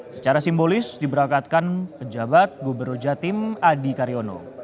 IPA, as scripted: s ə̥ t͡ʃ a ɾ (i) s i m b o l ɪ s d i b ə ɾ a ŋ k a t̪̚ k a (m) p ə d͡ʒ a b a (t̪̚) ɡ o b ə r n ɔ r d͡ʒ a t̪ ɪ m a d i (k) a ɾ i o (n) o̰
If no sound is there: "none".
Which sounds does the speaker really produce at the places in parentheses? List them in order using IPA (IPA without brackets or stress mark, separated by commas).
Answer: a, n, t̪̚, k, n